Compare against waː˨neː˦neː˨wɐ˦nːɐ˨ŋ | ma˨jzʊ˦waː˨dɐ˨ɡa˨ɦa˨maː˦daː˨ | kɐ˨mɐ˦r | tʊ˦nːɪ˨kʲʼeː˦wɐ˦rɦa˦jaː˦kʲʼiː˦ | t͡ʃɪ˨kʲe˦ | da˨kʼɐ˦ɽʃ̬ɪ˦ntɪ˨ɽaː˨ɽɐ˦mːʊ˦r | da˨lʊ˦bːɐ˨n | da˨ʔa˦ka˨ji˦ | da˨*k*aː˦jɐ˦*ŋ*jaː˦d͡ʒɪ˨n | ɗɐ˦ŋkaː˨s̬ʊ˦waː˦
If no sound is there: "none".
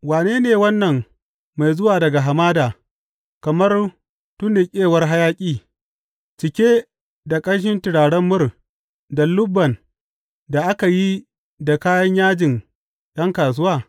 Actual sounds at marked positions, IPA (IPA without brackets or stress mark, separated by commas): k, ɲ